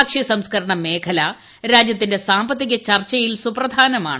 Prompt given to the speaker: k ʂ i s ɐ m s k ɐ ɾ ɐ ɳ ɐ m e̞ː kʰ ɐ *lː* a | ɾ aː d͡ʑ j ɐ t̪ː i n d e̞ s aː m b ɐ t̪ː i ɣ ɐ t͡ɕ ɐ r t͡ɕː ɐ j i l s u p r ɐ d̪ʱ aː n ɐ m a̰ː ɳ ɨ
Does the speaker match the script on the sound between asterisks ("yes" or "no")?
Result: no